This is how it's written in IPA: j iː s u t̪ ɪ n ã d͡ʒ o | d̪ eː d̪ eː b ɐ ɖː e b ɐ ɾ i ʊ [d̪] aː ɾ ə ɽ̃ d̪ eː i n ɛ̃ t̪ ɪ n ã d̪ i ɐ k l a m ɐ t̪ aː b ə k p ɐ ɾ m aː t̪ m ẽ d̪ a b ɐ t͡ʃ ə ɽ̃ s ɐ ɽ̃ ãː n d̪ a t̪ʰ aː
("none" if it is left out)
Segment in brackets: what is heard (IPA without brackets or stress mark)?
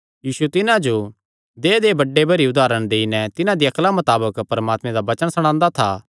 d̪